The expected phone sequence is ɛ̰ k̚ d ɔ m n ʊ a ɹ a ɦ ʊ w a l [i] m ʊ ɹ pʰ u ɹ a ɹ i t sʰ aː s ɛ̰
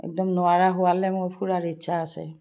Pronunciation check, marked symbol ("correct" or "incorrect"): incorrect